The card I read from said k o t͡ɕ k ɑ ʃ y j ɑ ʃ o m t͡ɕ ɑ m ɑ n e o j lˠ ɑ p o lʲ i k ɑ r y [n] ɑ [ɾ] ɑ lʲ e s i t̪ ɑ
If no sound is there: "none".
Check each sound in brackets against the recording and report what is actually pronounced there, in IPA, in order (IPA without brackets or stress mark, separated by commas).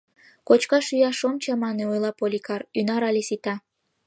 n, ɾ